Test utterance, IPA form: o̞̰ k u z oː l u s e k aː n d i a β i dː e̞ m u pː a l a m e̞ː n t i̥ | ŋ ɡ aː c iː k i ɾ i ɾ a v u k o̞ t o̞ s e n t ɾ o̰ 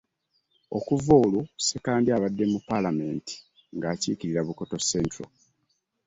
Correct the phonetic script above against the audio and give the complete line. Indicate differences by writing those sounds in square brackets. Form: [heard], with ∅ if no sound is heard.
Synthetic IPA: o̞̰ k u [v] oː l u s e k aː n d i a β [a] dː e̞ m u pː a l a m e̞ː n t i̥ | ŋ ɡ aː c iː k i ɾ i ɾ a [β] u k o̞ t o̞ s e n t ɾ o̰